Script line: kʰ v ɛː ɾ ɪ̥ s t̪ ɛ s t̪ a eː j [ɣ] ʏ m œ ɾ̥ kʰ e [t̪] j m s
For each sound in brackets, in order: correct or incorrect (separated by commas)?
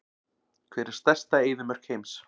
incorrect, incorrect